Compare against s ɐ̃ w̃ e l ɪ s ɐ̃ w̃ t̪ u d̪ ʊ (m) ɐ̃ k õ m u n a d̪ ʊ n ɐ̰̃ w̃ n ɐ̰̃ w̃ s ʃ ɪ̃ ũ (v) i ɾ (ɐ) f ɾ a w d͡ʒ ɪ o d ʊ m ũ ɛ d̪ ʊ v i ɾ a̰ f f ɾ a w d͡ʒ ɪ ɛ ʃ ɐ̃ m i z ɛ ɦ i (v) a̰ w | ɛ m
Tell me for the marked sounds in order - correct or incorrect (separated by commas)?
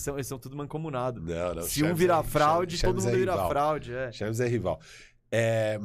correct, correct, incorrect, correct